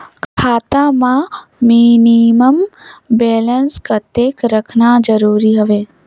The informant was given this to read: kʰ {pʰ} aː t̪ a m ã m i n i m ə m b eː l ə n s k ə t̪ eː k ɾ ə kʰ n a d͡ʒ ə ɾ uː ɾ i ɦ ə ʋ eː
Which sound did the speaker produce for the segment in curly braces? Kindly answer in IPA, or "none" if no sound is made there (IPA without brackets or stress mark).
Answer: kʰ